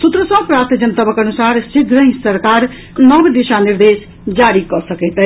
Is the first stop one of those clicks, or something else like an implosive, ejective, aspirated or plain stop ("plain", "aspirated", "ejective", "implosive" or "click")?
plain